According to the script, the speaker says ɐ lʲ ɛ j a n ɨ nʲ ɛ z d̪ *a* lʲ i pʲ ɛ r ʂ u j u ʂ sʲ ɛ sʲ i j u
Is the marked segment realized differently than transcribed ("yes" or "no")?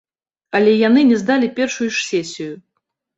no